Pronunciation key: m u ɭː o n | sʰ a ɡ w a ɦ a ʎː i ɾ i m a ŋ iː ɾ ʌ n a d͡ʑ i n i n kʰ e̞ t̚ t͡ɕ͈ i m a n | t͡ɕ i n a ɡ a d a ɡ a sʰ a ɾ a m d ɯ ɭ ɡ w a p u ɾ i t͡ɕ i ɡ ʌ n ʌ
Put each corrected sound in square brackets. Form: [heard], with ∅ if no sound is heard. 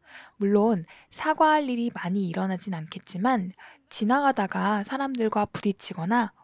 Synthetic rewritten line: m u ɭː o n | sʰ a ɡ w a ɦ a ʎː i ɾ i m a [ɲ] iː ɾ ʌ n a d͡ʑ i n [a] n kʰ e̞ t̚ t͡ɕ͈ i m a n | t͡ɕ i n a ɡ a d a ɡ a sʰ a ɾ a m d ɯ ɭ ɡ w a p u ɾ i [t͡ɕʰ] i ɡ ʌ n [a]